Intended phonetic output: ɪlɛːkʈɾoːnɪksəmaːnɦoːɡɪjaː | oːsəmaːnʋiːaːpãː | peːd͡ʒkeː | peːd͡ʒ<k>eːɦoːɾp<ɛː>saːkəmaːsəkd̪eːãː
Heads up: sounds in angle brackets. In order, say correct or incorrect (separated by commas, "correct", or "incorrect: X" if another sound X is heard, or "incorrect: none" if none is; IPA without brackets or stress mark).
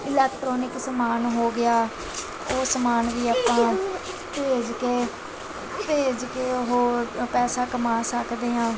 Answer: correct, correct